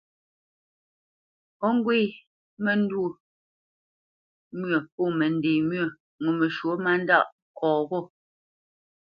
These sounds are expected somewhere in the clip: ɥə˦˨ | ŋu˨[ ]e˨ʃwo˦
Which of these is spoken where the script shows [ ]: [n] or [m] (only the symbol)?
m